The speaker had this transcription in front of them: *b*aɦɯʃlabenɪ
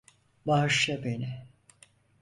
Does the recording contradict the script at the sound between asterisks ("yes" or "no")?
no